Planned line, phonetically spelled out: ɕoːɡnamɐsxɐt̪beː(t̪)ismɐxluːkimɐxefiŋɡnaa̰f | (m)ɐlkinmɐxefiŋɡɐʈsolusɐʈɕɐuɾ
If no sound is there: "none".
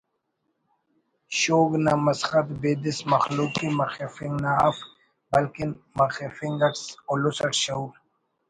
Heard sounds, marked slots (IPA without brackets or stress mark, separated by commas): d̪, b